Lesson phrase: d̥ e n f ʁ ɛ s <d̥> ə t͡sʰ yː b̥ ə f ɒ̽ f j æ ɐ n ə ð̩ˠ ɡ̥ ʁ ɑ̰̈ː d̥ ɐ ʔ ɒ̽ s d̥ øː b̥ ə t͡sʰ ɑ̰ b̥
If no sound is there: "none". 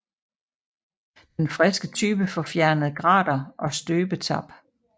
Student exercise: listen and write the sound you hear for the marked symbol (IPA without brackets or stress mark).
ɡ̥